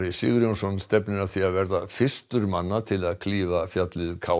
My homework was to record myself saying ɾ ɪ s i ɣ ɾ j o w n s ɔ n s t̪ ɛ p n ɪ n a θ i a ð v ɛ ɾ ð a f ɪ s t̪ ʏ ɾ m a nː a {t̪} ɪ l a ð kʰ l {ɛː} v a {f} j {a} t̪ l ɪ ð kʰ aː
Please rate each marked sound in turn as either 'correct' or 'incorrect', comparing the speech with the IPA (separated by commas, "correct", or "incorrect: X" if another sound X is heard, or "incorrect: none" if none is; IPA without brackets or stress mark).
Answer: incorrect: t̪ʰ, incorrect: iː, correct, correct